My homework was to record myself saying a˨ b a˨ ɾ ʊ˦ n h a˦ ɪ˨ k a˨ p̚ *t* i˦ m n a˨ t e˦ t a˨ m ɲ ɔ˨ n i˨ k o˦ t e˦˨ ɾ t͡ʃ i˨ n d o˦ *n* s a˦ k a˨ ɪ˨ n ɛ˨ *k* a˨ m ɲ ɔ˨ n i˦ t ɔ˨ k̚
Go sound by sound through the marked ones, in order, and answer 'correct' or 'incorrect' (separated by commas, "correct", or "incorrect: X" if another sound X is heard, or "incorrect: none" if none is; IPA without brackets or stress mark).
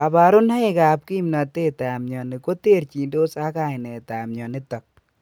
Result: incorrect: k, incorrect: none, incorrect: t